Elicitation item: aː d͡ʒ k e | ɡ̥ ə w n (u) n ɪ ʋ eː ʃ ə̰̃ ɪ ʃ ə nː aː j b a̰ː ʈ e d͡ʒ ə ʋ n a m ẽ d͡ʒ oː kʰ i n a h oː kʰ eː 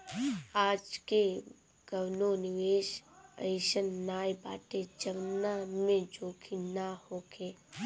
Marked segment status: incorrect: o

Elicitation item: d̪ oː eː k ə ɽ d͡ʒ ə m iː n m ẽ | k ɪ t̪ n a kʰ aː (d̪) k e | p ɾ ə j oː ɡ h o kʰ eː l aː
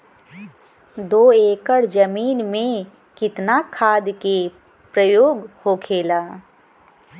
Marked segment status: correct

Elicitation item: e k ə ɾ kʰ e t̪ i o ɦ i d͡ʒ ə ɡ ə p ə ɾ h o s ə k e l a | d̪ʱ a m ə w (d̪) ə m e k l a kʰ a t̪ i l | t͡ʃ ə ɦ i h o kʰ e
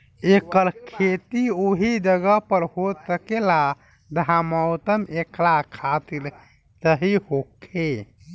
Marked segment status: incorrect: t̪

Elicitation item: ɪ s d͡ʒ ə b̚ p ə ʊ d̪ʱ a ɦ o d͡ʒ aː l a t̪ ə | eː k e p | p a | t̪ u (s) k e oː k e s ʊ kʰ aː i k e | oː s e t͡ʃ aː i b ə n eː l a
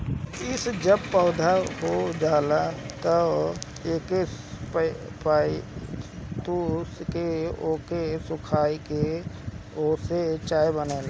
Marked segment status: correct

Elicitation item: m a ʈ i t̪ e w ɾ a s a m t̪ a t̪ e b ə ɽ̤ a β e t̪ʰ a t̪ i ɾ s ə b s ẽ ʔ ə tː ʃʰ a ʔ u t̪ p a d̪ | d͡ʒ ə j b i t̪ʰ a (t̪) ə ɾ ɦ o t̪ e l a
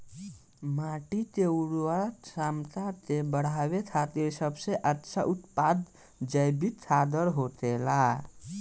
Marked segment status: incorrect: d̪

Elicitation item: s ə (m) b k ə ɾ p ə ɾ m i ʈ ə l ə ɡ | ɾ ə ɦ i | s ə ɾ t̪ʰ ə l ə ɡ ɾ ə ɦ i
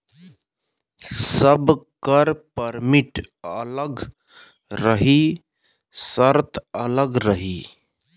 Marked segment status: incorrect: none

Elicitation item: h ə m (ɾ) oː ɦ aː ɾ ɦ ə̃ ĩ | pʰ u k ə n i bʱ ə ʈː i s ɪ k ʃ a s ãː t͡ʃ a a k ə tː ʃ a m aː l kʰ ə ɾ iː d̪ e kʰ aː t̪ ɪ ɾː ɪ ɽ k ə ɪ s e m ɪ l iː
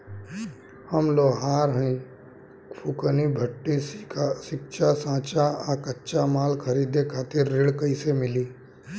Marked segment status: incorrect: l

